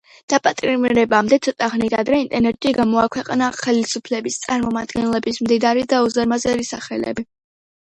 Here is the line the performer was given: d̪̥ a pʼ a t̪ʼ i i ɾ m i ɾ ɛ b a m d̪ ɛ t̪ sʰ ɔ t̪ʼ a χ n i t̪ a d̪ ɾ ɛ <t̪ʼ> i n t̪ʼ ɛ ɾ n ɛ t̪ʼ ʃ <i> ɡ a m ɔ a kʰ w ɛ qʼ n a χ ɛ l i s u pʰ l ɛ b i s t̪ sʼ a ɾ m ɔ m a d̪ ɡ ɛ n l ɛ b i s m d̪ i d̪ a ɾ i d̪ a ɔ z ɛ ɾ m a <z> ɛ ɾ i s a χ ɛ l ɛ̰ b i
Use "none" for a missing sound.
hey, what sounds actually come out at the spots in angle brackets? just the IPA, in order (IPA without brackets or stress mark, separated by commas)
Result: none, i, z